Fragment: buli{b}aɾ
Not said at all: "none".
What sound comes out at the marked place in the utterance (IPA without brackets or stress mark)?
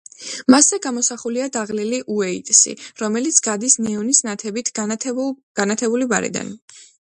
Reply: b